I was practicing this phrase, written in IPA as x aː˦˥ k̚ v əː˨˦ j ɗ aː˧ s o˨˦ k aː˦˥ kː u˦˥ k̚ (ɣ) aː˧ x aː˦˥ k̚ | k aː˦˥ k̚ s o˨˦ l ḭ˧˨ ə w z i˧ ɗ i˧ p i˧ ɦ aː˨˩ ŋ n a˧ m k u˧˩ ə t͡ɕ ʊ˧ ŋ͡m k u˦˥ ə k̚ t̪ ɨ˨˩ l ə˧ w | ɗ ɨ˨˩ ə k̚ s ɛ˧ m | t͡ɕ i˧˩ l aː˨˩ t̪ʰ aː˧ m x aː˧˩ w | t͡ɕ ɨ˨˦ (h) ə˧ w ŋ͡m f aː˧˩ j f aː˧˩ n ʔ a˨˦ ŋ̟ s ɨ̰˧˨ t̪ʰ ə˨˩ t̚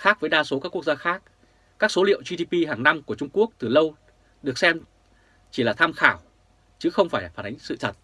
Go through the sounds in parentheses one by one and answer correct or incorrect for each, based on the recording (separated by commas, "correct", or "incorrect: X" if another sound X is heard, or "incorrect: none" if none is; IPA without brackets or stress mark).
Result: incorrect: z, incorrect: x